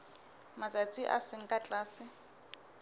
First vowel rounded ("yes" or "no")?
no